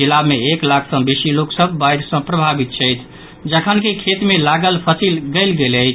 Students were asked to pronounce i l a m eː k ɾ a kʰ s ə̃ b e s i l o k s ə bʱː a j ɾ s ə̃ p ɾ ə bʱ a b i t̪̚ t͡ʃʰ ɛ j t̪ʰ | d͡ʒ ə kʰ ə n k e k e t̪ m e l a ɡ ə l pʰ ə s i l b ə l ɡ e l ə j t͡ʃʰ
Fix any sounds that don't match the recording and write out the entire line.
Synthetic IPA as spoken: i l a m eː k l a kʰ s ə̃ b e s i l o k s ə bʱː a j ɾ s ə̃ p ɾ ə bʱ a b i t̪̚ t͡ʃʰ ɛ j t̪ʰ | d͡ʒ ə kʰ ə n k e kʰ e t̪ m e l a ɡ ə l pʰ ə s i l ɡ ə l ɡ e l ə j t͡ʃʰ